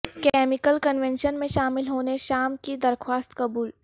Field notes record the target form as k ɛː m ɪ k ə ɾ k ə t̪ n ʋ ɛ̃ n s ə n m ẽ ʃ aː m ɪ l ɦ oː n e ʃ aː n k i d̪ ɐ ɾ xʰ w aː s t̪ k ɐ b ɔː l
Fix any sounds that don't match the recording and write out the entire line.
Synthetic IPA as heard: k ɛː m ɪ k ə l k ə n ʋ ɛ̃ n ʃ ə n m ẽ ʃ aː m ɪ l ɦ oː n e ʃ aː m k i d̪ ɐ ɾ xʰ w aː s t̪ k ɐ b uː l